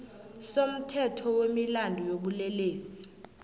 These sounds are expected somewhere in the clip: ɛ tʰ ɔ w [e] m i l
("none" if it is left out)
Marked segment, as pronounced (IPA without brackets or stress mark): e